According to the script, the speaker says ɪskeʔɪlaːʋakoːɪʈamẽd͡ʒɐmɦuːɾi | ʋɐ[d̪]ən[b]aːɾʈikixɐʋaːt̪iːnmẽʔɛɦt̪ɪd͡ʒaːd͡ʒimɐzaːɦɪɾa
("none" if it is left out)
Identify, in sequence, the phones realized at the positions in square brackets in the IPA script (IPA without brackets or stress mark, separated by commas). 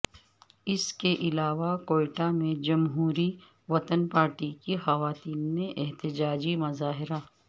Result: t̪, p